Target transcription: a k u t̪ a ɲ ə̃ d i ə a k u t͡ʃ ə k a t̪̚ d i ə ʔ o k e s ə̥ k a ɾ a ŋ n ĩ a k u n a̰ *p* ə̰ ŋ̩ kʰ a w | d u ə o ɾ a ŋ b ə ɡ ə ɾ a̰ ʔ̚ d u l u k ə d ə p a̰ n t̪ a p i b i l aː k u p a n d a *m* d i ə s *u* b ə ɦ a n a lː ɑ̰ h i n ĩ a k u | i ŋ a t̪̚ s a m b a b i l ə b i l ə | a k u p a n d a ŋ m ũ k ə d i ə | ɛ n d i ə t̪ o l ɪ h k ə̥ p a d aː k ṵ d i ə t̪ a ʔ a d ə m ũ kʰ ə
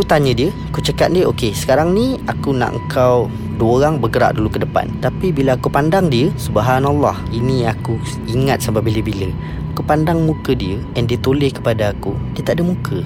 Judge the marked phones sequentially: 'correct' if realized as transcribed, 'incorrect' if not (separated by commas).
incorrect, incorrect, correct